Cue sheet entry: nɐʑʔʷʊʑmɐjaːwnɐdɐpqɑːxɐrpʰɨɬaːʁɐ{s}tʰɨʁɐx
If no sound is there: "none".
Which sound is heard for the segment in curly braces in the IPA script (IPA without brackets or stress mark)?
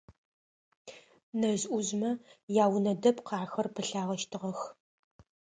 ʃ